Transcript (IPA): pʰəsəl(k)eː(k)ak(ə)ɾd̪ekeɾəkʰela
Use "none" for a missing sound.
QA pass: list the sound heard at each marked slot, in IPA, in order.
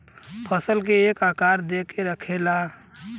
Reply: k, k, a

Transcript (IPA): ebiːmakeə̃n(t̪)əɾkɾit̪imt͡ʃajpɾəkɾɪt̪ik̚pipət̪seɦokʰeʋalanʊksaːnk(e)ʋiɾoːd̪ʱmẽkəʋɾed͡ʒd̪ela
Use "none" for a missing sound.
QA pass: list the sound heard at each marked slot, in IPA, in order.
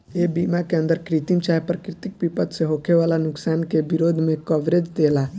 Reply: d̪, e

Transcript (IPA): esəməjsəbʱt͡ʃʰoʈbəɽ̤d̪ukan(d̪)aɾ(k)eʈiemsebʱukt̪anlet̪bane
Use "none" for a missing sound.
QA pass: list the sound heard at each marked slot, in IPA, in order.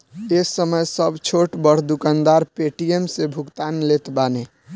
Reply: d̪, p

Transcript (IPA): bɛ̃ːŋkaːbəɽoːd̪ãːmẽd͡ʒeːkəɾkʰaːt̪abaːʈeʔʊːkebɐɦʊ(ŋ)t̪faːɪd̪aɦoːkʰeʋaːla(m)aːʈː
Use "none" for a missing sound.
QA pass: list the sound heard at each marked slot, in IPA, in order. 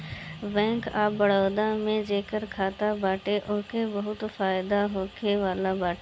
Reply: none, b

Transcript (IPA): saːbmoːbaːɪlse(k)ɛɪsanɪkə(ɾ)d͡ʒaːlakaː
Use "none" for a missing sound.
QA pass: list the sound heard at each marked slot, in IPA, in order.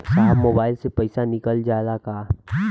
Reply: p, l

